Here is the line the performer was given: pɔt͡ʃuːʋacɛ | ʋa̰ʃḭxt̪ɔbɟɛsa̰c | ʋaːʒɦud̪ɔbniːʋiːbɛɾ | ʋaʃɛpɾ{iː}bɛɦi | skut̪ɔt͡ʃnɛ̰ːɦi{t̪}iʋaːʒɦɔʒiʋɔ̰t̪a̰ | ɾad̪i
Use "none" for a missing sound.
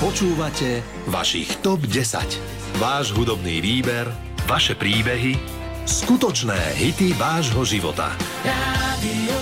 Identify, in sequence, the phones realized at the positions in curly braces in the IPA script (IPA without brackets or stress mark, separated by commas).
iː, t̪